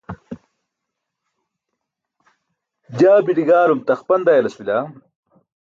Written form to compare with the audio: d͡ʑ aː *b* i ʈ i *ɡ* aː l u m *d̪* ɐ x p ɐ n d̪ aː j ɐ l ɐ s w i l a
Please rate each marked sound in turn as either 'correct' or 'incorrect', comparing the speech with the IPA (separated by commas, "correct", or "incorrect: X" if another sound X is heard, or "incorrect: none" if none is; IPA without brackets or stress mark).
correct, correct, incorrect: t̪